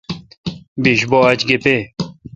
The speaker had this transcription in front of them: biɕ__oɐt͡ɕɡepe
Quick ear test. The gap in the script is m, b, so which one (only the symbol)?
b